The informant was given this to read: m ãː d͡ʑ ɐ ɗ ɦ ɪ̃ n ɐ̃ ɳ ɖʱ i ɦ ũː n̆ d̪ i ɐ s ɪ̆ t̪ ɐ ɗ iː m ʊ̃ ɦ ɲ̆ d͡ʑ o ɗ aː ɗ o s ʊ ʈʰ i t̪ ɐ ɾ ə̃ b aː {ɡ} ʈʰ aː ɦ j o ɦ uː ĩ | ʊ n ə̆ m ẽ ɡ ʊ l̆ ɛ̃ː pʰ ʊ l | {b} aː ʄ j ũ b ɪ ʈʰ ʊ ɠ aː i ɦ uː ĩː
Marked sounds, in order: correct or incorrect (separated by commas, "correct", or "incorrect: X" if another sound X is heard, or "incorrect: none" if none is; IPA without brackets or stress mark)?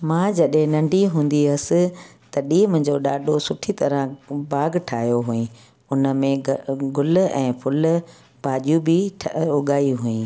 correct, correct